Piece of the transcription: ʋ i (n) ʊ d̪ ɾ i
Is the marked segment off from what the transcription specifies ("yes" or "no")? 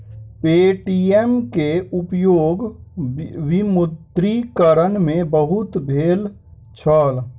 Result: yes